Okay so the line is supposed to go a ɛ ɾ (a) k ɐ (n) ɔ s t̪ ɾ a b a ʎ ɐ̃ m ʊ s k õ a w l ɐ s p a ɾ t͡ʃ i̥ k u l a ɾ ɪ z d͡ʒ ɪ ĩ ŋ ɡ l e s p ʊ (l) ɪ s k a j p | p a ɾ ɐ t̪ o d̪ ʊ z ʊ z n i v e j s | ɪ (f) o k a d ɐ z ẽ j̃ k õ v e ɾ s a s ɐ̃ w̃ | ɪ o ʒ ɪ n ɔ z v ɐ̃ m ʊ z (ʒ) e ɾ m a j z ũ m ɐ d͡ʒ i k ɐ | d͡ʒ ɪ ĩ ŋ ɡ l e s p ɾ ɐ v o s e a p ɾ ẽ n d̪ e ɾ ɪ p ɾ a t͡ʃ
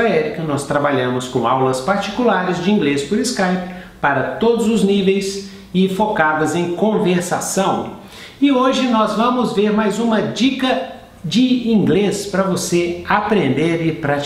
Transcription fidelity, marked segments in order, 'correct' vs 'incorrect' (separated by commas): incorrect, correct, incorrect, correct, incorrect